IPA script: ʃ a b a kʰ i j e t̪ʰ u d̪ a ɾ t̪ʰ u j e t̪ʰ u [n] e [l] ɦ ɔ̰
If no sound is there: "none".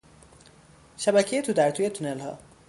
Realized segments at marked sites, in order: n, l

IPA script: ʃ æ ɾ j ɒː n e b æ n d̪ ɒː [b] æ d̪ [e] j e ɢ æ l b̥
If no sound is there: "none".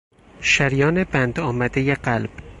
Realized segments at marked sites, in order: m, e

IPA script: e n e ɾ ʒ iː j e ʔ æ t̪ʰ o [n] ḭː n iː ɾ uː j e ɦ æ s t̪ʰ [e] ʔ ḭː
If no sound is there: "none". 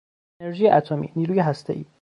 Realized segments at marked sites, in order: m, e

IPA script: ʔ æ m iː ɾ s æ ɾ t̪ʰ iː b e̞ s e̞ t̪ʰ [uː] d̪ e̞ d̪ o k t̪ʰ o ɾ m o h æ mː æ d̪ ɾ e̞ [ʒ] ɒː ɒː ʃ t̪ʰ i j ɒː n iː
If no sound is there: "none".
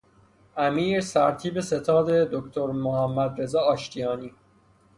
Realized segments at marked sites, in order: ɒː, z

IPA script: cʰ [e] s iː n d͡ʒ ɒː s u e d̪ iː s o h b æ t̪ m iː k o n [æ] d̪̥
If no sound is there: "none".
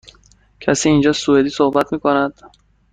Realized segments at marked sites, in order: æ, æ

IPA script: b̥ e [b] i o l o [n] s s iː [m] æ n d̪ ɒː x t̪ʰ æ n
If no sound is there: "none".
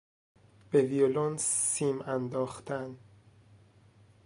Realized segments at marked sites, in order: v, n, m

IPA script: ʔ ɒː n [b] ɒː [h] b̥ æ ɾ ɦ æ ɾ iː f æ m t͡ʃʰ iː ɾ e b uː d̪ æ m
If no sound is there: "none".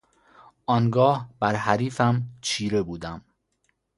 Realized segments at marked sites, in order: ɡ, h

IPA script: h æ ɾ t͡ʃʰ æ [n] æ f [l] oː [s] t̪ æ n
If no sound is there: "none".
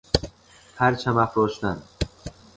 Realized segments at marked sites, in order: m, ɾ, ʃ

